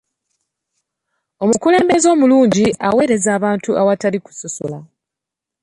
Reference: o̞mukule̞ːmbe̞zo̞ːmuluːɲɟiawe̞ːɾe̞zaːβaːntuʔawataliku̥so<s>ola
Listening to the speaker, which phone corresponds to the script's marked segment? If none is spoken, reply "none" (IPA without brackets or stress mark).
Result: s